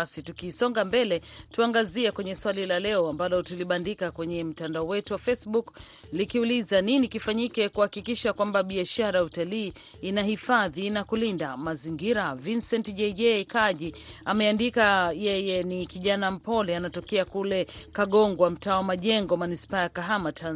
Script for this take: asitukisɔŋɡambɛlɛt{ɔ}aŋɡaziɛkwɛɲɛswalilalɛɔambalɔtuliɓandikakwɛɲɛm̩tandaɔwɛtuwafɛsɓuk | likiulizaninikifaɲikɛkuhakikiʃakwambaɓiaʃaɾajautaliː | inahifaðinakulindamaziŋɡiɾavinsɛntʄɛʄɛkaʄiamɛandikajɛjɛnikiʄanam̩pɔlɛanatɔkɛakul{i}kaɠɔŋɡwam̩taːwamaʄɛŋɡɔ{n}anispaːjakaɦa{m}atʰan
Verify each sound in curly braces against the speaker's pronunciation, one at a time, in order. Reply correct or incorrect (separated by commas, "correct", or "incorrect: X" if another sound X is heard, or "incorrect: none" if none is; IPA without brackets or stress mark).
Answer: incorrect: u, incorrect: ɛ, incorrect: m, correct